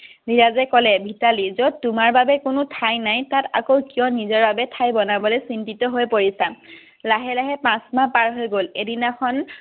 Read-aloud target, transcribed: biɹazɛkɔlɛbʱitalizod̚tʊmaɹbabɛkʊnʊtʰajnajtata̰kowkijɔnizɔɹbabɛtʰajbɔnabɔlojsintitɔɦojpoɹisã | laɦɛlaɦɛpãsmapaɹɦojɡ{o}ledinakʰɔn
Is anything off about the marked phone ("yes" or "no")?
no